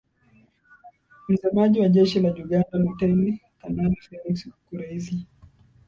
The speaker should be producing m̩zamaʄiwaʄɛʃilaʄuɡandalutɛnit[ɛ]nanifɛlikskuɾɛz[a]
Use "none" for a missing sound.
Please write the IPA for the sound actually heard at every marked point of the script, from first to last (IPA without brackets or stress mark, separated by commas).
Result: a, i